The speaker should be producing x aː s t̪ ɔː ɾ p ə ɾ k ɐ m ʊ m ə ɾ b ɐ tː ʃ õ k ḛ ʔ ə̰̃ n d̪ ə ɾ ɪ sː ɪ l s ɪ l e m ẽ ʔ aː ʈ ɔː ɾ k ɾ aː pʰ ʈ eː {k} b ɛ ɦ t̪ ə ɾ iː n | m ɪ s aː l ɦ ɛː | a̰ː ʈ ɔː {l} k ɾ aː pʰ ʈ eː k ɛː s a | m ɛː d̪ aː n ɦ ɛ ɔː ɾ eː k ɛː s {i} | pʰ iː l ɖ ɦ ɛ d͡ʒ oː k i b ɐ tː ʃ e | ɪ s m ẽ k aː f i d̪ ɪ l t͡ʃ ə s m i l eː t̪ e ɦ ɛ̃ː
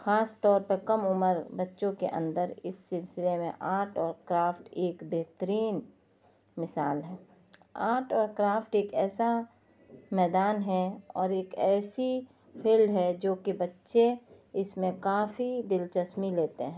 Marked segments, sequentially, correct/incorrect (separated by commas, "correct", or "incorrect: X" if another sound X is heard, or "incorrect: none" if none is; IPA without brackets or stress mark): correct, incorrect: ɾ, correct